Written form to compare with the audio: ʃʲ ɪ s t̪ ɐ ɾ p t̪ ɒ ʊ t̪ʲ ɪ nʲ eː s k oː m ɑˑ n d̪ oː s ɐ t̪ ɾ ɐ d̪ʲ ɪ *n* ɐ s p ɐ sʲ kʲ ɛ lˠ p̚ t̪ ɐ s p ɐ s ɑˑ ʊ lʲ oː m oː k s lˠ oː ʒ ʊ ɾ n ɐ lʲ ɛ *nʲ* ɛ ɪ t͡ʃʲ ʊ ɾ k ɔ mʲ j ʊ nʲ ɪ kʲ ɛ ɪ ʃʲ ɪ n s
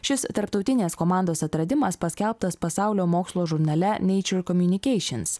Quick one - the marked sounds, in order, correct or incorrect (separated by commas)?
incorrect, correct